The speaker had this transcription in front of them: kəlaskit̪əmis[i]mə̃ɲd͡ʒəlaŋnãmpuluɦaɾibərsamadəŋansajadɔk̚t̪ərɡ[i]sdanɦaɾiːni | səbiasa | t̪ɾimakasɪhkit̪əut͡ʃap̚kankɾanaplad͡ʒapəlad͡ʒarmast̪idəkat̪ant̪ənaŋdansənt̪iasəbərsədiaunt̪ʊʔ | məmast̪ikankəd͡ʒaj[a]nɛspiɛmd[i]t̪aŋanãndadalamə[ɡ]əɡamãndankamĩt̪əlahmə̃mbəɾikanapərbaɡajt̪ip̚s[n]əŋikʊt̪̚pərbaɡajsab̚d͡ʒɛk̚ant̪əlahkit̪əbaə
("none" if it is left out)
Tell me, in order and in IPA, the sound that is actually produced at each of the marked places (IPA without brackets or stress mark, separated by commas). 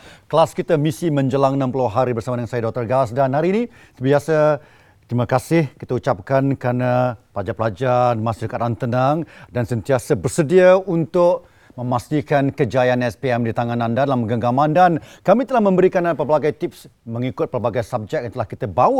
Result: i, a, a, i, ɡ, m